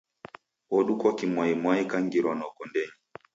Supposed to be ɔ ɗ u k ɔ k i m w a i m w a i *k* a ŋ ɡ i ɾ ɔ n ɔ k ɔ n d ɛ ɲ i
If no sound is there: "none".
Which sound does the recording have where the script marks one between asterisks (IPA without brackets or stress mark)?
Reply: k